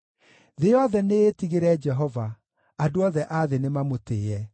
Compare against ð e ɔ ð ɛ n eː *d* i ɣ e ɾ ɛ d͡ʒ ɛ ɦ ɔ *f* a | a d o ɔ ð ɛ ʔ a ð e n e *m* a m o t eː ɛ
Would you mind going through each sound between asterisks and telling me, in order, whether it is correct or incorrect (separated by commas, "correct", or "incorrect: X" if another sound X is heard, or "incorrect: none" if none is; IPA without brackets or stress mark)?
incorrect: t, incorrect: v, correct